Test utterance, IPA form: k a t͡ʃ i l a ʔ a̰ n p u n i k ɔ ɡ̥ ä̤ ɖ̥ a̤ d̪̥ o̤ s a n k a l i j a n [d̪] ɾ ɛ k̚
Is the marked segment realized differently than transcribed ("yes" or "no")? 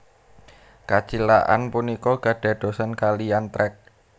yes